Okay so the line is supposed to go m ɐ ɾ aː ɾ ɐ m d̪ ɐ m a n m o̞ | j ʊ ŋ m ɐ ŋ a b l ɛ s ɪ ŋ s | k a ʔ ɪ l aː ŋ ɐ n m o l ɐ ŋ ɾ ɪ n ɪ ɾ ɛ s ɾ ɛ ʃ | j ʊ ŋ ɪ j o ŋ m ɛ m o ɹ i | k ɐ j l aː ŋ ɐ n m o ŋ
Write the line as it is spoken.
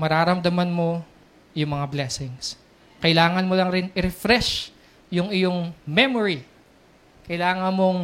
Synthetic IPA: m ɐ ɾ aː ɾ ɐ m d̪ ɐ m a n m o̞ | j ʊ ŋ m ɐ ŋ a b l ɛ s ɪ ŋ s | k ɐ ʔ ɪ l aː ŋ ɐ n m o l ɐ ŋ ɾ ɪ n ɪ ɾ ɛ f ɾ ɛ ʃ | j ʊ ŋ ɪ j o ŋ m ɛ m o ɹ i | k ɐ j l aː ŋ ɐ n m o ŋ